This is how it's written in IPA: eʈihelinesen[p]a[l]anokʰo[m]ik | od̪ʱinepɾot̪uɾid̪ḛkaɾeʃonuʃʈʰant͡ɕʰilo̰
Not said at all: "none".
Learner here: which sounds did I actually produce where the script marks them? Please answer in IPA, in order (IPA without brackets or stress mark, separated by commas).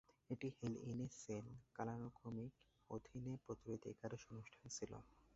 k, l, m